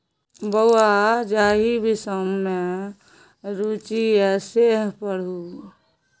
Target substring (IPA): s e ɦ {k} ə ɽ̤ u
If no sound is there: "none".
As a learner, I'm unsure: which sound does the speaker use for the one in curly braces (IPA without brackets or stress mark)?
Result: p